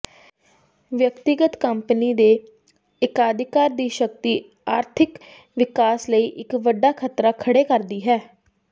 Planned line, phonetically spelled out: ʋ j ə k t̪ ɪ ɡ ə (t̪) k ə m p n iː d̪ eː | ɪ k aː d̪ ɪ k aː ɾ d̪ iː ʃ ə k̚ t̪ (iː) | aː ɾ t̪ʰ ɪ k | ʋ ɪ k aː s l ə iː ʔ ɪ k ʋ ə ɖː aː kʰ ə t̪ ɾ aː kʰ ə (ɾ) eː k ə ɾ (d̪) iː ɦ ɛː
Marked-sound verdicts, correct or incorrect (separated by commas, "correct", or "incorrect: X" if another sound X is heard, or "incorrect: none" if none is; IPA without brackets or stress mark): correct, correct, incorrect: ɽ, correct